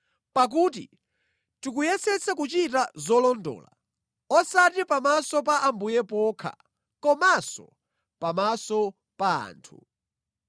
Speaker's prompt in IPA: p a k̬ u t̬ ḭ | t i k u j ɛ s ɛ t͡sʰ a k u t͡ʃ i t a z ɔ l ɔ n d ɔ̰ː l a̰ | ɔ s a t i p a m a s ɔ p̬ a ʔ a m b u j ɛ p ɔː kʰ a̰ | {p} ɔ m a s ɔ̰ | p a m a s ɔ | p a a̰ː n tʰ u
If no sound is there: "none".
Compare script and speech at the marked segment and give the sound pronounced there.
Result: k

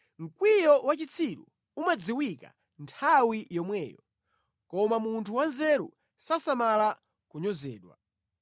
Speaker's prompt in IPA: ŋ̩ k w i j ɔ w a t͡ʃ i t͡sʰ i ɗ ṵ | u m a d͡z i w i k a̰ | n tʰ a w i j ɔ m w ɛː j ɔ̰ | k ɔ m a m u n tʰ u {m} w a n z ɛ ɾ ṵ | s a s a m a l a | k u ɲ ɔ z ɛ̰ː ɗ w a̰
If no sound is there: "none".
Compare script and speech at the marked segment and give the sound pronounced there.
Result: none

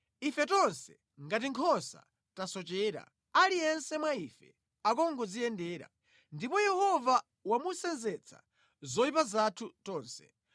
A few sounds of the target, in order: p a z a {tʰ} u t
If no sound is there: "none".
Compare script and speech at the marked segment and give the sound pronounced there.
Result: tʰ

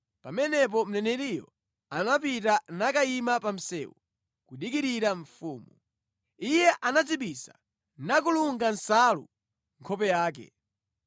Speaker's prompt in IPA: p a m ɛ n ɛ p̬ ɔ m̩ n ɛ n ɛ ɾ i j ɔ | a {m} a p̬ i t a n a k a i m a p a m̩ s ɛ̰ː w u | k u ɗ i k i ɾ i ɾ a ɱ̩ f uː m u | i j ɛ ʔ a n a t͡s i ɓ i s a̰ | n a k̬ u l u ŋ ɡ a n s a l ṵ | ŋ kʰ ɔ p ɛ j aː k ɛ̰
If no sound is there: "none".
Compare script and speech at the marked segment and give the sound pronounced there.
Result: n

